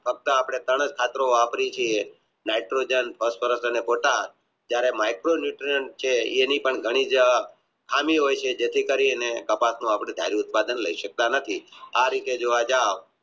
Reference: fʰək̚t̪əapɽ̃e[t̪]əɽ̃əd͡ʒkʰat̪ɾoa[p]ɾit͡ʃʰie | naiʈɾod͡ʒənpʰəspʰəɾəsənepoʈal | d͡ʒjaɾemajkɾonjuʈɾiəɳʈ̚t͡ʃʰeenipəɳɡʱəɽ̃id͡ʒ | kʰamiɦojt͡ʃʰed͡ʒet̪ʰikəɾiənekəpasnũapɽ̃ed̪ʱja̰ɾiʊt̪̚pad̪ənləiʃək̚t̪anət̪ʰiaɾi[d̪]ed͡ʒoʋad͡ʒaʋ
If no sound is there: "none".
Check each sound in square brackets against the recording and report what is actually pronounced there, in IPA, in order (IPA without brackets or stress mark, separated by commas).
t̪, p, t̪